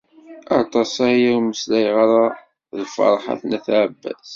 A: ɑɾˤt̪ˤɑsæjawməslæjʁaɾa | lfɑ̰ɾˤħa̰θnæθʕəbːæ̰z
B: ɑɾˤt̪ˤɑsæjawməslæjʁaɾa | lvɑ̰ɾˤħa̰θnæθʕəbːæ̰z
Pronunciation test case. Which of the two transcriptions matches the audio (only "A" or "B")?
A